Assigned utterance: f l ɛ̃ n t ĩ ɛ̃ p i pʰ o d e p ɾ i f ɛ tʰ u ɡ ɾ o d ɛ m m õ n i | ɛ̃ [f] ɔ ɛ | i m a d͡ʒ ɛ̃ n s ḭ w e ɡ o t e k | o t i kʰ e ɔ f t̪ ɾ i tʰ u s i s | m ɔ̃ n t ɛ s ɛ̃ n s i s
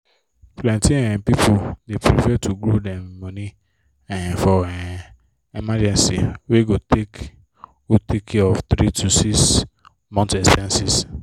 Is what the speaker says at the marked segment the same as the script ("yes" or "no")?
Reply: yes